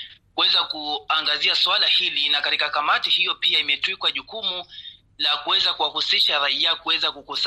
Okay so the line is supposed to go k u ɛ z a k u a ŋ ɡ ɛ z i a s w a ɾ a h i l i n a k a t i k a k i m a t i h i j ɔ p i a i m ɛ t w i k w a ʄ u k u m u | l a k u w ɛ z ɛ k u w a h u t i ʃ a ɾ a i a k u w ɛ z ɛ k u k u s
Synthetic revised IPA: k u ɛ z a k u a ŋ ɡ a z i a s w a l a h i l i n a k a t i k a k a m a t i h i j ɔ p i a i m ɛ t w i k w a ʄ u k u m u | l a k u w ɛ z a k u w a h u s i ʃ a ɾ a i a k u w ɛ z a k u k u s